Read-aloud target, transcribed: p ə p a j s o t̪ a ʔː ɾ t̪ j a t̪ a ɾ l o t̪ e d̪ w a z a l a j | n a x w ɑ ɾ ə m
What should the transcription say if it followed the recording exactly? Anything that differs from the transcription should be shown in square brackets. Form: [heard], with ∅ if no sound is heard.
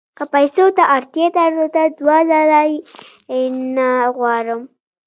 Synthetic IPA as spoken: [k] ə p a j s o t̪ a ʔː ɾ t̪ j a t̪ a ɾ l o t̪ [a] d̪ w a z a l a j | n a [ɣ] w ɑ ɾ ə m